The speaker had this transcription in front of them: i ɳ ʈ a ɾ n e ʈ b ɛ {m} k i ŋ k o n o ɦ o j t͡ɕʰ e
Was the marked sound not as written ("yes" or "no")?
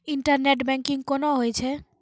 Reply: yes